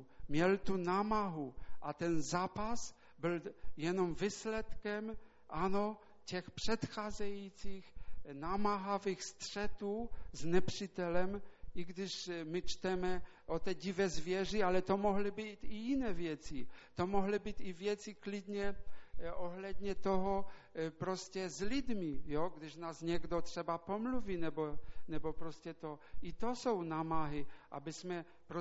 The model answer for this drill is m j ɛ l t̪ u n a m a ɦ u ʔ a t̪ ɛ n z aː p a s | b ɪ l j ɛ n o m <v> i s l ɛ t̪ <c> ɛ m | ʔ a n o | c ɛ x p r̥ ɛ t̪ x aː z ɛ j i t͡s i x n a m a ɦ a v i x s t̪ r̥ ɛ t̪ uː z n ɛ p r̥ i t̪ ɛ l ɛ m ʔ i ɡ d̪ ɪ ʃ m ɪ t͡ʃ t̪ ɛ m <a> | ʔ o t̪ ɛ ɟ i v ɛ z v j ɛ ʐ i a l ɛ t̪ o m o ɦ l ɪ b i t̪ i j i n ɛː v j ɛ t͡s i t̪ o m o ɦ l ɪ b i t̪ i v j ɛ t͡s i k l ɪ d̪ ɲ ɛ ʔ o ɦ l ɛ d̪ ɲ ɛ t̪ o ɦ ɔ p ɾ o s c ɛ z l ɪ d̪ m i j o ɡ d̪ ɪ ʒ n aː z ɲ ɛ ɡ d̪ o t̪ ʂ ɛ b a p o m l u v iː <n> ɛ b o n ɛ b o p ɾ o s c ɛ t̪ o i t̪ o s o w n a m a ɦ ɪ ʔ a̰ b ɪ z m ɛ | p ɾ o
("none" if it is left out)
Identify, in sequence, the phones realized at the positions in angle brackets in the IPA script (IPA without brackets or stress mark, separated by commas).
v, k, ɛ, n